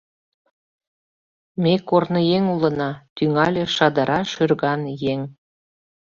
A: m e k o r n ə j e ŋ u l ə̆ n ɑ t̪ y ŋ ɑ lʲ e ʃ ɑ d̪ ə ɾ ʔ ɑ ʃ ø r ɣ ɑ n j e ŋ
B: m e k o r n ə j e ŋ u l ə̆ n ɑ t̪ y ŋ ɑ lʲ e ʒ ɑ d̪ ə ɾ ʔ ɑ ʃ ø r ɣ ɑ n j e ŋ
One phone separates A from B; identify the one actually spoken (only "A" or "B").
A